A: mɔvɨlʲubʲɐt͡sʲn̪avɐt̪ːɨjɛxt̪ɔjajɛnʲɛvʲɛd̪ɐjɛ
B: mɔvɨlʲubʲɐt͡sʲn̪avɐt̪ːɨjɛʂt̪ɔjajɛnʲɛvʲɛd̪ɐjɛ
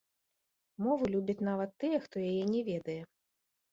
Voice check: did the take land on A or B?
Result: A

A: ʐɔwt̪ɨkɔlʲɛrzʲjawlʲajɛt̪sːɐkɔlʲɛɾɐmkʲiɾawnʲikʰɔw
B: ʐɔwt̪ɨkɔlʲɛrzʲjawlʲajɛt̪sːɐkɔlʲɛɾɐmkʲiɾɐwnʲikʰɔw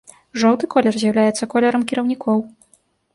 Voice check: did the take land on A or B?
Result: B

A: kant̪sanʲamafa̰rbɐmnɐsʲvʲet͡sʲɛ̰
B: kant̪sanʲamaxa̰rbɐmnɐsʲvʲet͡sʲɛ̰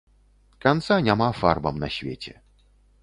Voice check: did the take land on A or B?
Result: A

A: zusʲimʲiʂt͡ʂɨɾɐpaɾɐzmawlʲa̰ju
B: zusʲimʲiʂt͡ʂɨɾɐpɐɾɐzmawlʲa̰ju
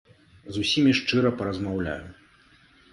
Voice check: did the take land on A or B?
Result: B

